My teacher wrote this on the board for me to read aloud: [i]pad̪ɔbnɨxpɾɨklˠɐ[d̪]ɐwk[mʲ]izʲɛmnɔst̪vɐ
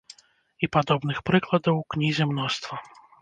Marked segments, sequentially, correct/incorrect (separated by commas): correct, correct, incorrect